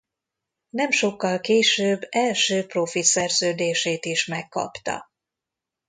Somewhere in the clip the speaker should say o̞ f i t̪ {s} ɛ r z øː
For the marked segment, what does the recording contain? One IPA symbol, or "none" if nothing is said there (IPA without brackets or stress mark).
s